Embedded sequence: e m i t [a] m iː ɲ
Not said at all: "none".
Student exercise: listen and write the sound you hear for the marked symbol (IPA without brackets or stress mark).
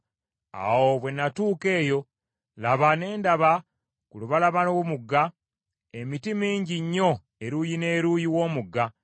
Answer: i